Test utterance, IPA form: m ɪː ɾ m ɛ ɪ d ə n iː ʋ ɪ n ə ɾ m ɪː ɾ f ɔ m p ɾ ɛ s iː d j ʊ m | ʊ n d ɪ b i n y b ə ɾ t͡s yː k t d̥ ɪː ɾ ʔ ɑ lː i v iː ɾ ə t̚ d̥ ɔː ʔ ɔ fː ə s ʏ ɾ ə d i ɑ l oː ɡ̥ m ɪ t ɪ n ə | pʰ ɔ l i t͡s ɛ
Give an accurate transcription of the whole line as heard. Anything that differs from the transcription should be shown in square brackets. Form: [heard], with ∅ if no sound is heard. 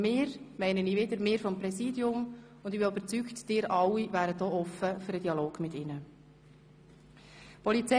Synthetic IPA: m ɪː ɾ m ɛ ɪ [n] ə n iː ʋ ɪ [d] ə ɾ m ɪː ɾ f ɔ m p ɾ ɛ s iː d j ʊ m | ʊ n d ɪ b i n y b ə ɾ t͡s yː k t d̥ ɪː ɾ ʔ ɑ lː i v [æː] ɾ ə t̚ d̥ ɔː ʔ ɔ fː ə [f] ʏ ɾ ə d i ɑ l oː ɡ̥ m ɪ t ɪ n ə | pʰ ɔ l i t͡s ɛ

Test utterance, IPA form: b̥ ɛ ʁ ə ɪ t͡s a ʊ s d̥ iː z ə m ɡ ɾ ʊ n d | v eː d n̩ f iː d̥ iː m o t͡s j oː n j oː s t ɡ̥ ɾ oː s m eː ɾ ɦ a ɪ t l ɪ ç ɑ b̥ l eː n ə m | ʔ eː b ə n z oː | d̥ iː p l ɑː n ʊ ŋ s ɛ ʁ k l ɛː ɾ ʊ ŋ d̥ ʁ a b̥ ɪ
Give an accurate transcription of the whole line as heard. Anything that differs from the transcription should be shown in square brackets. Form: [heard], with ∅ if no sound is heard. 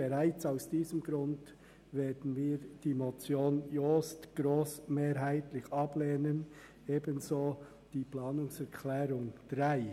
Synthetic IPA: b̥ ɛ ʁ [a] ɪ t͡s a ʊ s d̥ iː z ə m ɡ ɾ ʊ n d | v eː d n̩ [v] iː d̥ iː m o t͡s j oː n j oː s t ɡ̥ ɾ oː s m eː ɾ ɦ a ɪ t l ɪ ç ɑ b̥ l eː n ə [n] | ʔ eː b ə n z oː | d̥ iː p l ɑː n ʊ ŋ s ɛ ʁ [kʰ] l ɛː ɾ ʊ ŋ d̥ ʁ a [∅] ɪ

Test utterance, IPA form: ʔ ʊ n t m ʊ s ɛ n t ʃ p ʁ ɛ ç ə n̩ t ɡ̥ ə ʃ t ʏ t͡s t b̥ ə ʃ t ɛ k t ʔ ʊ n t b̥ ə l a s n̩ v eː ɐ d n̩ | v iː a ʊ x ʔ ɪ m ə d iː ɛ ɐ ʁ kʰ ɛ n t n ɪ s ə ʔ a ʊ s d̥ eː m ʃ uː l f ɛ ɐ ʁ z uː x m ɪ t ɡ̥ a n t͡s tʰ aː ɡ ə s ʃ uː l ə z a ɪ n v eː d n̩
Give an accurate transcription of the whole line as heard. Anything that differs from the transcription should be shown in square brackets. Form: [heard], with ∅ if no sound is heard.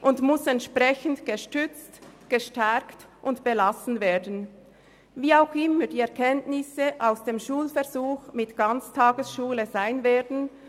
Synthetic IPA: ʔ ʊ n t m ʊ s ɛ n t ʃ p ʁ ɛ ç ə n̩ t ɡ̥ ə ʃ t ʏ t͡s t [ɡ̥] ə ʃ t ɛ k t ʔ ʊ n t b̥ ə l a s n̩ v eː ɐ d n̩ | v iː a ʊ x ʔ ɪ m ə d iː ɛ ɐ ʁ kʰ ɛ n t n ɪ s ə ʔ a ʊ s d̥ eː m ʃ uː l f ɛ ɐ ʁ z uː x m ɪ t ɡ̥ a n t͡s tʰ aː ɡ ə s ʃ uː l ə z a ɪ n v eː d n̩

